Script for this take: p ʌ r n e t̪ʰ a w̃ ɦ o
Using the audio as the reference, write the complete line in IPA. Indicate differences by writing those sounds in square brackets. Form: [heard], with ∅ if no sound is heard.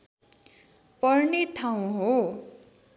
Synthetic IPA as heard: p ʌ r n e t̪ʰ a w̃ ɦ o